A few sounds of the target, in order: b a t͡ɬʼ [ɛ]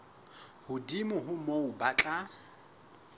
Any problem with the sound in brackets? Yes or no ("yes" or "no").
yes